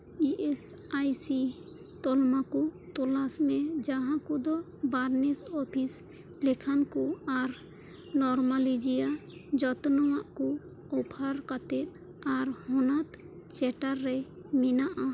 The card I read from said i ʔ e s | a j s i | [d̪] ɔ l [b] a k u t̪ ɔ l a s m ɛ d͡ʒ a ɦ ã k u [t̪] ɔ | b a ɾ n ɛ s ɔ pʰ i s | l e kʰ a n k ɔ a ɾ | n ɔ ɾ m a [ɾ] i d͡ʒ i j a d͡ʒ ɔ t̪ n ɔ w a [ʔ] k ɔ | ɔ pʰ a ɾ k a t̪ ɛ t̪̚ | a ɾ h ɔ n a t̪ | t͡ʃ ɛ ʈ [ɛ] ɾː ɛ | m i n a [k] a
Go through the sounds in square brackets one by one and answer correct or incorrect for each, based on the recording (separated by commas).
incorrect, incorrect, incorrect, incorrect, correct, incorrect, incorrect